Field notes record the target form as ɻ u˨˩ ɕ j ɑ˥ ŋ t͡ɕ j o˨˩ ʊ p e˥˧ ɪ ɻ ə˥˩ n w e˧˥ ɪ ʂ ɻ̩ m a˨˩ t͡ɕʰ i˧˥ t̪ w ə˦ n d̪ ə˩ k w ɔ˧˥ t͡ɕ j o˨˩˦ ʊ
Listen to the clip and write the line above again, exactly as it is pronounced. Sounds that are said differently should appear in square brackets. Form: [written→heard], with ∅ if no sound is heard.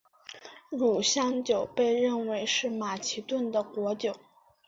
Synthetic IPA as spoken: ɻ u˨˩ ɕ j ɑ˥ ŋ t͡ɕ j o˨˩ ʊ p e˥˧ ɪ ɻ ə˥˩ n w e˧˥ ɪ ʂ ɻ̩ m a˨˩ t͡ɕʰ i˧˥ t̪ w [ə˦→ə˥˩] n d̪ ə˩ k w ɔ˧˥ t͡ɕ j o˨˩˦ ʊ